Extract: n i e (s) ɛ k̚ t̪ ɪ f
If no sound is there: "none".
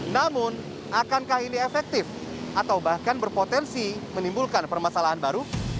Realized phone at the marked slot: f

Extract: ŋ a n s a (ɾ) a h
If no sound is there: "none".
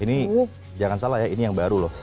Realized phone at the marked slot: l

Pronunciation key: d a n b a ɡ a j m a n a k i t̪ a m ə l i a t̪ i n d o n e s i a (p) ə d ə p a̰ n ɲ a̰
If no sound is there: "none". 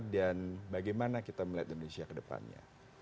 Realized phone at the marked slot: k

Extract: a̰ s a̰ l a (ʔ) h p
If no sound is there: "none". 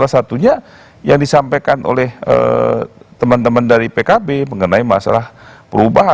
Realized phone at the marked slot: none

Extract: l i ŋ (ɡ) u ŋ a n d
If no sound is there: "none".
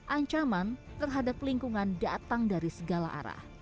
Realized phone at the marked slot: k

